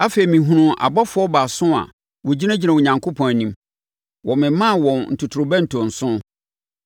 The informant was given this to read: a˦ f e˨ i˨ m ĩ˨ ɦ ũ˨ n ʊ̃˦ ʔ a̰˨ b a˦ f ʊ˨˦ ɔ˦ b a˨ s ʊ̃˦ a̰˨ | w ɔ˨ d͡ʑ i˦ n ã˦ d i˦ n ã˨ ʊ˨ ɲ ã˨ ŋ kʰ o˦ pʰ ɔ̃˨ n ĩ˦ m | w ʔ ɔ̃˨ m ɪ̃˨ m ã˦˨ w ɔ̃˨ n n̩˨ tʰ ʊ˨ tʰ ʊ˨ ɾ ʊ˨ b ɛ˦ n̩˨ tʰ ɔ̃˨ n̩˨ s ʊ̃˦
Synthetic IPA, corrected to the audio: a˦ f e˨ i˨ m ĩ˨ ɦ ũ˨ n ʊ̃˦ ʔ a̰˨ b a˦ f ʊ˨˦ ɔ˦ b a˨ s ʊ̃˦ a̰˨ | w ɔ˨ d͡ʑ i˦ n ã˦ d͡ʑ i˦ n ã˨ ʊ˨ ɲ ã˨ ŋ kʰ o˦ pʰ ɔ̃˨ n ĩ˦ m | w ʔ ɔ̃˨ m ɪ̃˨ m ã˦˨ w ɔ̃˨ n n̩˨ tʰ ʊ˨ tʰ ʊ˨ ɾ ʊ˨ b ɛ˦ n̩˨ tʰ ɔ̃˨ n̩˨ s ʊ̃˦